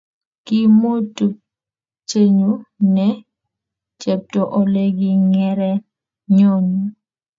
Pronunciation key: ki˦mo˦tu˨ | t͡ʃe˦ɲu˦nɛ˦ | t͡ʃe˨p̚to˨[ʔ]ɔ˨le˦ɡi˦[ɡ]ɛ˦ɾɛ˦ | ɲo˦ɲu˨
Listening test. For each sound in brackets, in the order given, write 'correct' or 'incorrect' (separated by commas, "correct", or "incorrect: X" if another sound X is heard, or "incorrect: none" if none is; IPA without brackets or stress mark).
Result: correct, incorrect: ŋ